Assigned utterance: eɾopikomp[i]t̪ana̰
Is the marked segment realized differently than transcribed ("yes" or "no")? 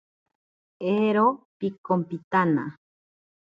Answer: no